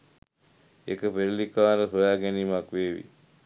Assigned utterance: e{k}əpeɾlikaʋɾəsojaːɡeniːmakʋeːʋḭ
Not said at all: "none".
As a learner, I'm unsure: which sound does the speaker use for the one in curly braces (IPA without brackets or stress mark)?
k